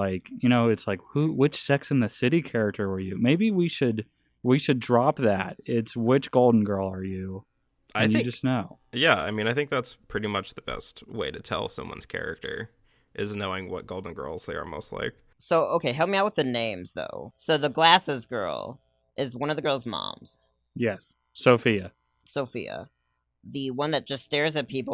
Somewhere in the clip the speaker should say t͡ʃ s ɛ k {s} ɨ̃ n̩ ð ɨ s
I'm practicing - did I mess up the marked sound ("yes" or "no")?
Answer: no